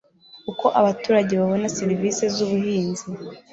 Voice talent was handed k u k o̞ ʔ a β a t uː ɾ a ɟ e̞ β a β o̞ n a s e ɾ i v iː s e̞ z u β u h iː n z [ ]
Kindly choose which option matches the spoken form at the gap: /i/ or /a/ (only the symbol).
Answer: i